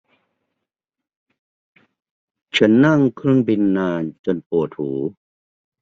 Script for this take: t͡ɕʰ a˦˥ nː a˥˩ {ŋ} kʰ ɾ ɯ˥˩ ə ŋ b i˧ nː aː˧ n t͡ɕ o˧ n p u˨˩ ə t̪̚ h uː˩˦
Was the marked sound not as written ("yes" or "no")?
no